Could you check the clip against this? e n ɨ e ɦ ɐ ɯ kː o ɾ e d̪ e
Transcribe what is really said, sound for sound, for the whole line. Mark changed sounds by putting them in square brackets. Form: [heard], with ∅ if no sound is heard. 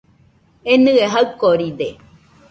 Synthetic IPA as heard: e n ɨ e ɦ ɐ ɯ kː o ɾ [i] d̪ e